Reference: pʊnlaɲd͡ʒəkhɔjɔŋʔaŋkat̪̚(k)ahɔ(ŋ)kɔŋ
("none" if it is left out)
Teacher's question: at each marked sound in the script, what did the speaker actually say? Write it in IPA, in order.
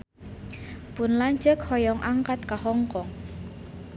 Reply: k, ŋ

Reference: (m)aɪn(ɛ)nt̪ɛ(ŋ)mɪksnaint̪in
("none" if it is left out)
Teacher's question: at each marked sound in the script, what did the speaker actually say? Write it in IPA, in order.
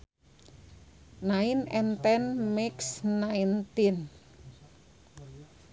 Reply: n, ɛ, n

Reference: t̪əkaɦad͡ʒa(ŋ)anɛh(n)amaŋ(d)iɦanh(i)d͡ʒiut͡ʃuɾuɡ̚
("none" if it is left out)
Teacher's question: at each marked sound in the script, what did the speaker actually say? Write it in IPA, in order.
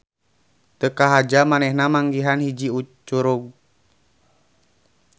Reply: m, n, ɡ, i

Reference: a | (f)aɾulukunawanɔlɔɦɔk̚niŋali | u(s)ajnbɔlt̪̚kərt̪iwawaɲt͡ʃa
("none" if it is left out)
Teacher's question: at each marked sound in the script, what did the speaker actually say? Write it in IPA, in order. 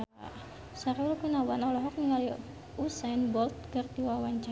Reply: s, s

